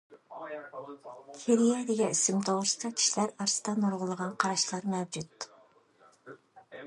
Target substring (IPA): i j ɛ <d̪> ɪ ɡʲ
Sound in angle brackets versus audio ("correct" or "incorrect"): correct